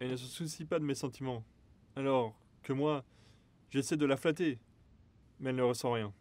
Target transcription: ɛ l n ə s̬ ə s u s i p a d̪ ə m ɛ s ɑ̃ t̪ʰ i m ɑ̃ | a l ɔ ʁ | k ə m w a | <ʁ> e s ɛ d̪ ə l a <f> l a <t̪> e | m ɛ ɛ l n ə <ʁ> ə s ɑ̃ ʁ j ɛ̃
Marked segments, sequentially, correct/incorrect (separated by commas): incorrect, correct, correct, correct